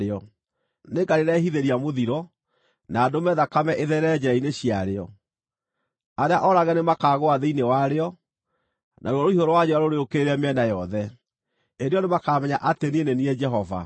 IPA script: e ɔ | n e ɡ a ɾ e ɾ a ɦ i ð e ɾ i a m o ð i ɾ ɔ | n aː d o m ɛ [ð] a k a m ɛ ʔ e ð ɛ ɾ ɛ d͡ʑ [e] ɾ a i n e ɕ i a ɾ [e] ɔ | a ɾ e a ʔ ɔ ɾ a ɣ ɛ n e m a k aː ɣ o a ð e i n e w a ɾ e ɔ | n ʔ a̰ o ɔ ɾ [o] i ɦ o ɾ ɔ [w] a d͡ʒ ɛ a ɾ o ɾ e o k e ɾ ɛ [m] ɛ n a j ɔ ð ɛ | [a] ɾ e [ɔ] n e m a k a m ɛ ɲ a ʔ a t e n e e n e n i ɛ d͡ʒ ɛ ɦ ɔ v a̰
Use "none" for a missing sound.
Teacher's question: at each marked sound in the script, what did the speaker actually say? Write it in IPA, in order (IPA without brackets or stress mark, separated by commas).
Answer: ð, ɛ, e, o, w, m, e, ɔ